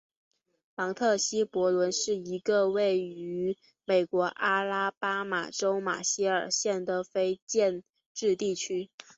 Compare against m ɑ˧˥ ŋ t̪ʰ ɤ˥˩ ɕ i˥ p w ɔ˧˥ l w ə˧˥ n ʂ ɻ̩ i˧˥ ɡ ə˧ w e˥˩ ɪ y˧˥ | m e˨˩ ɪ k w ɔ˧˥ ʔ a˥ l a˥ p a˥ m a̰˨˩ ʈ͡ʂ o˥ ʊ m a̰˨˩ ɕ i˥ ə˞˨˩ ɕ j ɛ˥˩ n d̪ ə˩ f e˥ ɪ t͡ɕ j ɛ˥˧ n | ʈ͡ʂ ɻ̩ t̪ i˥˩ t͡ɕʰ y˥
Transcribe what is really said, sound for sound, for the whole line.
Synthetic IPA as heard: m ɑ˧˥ ŋ t̪ʰ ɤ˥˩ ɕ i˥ p w ɔ˧˥ l w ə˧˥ n ʂ ɻ̩ i˧˥ ɡ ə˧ w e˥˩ ɪ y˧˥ | m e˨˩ ɪ k w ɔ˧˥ ʔ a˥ l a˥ p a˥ m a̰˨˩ ʈ͡ʂ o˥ ʊ m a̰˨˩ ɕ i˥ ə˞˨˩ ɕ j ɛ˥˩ n d̪ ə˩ f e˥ ɪ t͡ɕ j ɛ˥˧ n | ʈ͡ʂ ɻ̩ t̪ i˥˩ t͡ɕʰ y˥

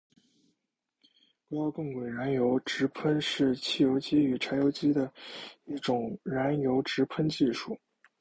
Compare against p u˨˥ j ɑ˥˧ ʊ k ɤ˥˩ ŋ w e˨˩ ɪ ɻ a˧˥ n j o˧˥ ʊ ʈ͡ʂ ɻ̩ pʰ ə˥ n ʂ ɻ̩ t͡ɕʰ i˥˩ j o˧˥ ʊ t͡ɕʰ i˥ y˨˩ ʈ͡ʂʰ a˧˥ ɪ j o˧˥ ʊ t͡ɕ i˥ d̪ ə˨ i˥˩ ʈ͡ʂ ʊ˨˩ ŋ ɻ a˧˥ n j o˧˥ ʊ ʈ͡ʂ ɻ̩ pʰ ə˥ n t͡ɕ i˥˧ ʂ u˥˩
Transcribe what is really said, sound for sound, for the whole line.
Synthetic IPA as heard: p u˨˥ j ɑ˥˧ ʊ k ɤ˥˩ ŋ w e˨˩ ɪ ɻ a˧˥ n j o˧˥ ʊ ʈ͡ʂ ɻ̩ pʰ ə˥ n ʂ ɻ̩ t͡ɕʰ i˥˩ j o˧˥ ʊ t͡ɕ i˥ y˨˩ ʈ͡ʂʰ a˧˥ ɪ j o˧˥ ʊ t͡ɕ i˥ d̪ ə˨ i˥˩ ʈ͡ʂ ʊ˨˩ ŋ ɻ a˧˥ n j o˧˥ ʊ ʈ͡ʂ ɻ̩ pʰ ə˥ n t͡ɕ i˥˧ ʂ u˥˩

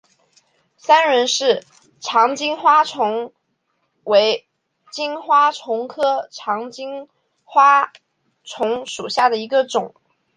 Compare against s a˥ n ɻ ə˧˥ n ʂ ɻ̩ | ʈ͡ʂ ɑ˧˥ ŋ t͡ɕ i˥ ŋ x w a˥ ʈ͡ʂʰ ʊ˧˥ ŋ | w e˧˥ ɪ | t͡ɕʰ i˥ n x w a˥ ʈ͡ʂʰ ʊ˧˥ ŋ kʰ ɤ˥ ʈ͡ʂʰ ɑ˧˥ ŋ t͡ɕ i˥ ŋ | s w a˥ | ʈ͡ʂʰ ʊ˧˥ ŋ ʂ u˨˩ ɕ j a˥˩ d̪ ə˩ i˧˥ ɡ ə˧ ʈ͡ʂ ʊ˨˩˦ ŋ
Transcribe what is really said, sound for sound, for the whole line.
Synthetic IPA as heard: s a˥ n ɻ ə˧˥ n ʂ ɻ̩ | ʈ͡ʂʰ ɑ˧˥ ŋ t͡ɕ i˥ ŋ x w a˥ ʈ͡ʂʰ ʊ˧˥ ŋ | w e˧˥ ɪ | t͡ɕ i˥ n x w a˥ ʈ͡ʂʰ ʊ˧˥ ŋ kʰ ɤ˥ ʈ͡ʂʰ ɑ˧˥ ŋ t͡ɕ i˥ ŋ | x w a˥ | ʈ͡ʂʰ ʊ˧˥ ŋ ʂ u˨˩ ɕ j a˥˩ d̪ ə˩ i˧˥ ɡ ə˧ ʈ͡ʂ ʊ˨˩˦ ŋ

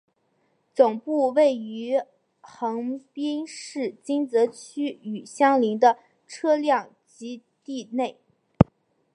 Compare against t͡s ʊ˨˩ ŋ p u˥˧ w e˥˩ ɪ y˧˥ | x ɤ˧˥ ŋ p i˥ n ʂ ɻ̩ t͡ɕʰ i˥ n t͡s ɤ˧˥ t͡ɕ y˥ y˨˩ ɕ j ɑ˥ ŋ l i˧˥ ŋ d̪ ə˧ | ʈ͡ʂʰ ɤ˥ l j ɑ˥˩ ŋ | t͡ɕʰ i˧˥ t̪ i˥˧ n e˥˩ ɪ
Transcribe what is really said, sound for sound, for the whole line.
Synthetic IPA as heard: t͡s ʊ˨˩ ŋ p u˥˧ w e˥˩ ɪ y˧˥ | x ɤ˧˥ ŋ p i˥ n ʂ ɻ̩ t͡ɕ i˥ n t͡s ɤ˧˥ t͡ɕʰ y˥ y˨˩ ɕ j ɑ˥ ŋ l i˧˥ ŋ d̪ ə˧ | ʈ͡ʂʰ ɤ˥ l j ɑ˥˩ ŋ | t͡ɕ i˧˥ t̪ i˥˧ n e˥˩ ɪ

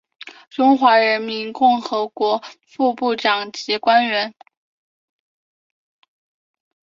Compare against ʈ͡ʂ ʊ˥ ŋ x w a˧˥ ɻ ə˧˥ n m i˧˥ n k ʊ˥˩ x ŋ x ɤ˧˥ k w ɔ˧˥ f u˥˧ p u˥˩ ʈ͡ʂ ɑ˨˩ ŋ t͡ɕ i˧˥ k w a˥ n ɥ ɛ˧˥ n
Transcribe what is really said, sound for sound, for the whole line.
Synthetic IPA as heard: ʈ͡ʂ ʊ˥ ŋ x w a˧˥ ɻ ə˧˥ n m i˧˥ n k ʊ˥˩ ŋ x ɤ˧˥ k w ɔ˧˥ f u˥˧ p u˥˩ ʈ͡ʂ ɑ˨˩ ŋ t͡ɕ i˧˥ k w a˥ n ɥ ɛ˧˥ n

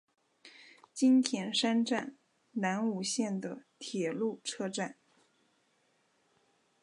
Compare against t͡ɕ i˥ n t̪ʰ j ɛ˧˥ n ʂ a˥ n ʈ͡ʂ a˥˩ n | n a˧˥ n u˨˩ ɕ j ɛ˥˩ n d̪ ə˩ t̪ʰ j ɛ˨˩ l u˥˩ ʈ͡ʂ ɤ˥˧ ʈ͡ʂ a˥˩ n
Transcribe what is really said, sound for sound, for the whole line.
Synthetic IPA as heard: t͡ɕ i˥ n t̪ʰ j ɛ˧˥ n ʂ a˥ n ʈ͡ʂ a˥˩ n | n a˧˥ n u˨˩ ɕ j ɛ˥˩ n d̪ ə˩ t̪ʰ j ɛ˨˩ l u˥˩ ʈ͡ʂʰ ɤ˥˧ ʈ͡ʂ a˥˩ n

